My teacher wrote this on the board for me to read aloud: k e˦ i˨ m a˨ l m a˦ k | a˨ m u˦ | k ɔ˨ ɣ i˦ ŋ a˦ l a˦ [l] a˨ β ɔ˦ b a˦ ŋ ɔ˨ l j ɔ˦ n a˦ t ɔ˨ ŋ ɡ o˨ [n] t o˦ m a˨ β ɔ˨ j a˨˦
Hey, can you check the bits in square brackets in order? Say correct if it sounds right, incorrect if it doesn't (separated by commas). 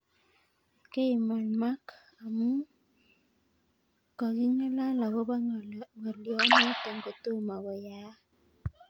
correct, incorrect